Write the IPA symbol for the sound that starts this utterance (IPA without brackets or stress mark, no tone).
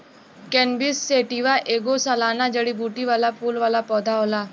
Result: k